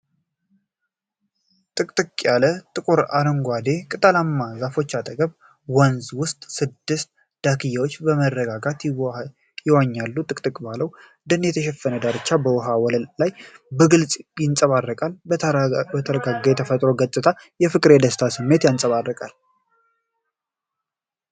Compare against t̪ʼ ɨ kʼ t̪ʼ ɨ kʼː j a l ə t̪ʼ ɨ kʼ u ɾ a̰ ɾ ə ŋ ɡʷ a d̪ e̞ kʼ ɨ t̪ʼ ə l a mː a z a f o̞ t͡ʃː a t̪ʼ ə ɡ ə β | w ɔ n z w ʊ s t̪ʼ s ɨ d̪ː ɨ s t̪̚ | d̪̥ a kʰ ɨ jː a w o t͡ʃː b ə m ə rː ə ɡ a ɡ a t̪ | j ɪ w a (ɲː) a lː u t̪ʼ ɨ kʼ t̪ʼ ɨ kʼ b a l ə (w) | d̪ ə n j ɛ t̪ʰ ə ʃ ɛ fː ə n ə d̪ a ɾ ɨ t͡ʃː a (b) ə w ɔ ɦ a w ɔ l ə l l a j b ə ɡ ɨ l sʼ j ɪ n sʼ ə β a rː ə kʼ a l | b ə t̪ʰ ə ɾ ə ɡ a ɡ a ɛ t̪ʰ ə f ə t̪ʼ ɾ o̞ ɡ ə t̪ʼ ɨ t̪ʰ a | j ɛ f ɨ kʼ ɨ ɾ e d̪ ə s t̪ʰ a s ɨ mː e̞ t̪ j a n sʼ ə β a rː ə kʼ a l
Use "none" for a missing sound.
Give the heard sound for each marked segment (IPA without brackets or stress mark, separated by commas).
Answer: ɲː, w, b